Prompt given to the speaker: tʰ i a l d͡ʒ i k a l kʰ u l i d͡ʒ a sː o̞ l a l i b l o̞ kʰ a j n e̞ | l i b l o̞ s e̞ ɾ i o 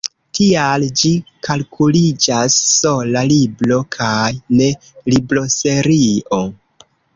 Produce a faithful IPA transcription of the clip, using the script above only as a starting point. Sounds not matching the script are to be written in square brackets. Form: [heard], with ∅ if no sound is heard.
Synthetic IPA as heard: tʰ i a l d͡ʒ i k a l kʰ u l i d͡ʒ a sː o̞ l a l i b l o̞ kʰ a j n e̞ | l i b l o̞ s e̞ ɾ i o